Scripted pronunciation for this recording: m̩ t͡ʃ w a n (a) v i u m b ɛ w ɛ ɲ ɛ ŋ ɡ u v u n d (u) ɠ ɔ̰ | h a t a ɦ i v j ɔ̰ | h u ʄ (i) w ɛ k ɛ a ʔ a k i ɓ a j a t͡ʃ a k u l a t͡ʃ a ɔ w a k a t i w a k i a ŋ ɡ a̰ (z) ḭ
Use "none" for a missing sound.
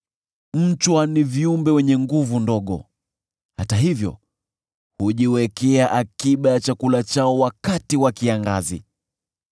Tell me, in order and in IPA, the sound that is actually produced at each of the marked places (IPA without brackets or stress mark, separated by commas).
i, ɔ, i, z